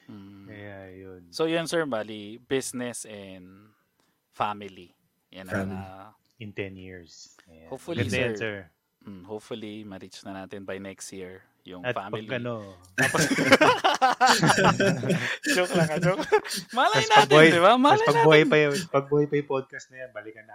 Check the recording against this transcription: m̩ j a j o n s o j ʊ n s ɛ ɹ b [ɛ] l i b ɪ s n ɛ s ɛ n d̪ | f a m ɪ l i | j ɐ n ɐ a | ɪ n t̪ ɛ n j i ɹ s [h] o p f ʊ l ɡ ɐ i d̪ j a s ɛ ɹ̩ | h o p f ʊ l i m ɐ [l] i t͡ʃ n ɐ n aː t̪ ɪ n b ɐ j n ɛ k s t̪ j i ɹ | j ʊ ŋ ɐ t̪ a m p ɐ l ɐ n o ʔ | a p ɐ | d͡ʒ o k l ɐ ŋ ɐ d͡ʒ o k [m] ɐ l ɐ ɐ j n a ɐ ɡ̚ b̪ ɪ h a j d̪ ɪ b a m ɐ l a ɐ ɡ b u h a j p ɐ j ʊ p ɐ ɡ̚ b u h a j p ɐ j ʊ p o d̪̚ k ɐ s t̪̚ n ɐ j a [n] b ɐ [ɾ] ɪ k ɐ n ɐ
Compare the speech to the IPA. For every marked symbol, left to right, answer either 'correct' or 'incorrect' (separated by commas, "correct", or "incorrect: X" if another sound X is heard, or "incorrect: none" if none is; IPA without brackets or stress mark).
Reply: incorrect: a, correct, incorrect: ɾ, correct, correct, incorrect: l